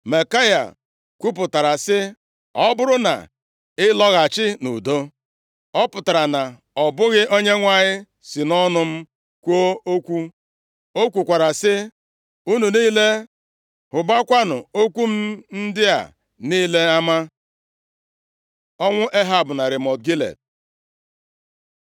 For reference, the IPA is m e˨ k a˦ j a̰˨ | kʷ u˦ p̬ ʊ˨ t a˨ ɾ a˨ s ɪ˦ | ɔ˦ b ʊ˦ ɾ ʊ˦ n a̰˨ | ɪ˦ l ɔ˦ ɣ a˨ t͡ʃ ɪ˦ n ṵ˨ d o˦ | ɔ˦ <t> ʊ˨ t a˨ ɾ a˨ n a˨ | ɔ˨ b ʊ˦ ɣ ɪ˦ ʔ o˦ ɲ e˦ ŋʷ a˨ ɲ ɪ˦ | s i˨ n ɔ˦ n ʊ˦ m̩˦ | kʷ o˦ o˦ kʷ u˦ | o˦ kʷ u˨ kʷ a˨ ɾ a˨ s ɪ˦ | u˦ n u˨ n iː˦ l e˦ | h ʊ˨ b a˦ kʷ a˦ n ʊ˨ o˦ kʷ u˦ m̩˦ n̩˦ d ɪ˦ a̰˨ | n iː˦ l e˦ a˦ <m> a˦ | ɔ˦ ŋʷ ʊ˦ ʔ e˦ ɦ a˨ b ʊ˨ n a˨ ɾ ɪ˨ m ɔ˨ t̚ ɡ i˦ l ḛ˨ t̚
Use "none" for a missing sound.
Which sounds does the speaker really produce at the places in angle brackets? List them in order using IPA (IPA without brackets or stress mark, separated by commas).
p, m